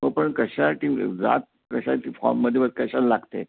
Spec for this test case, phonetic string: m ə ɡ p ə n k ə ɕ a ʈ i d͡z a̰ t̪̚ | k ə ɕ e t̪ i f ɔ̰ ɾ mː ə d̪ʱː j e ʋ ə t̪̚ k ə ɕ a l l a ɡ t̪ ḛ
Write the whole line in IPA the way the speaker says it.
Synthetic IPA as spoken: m ə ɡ p ə ɳ k ə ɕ a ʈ i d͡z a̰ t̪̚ | k ə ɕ a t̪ i f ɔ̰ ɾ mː ə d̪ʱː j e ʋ ə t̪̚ k ə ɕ a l l a ɡ t̪ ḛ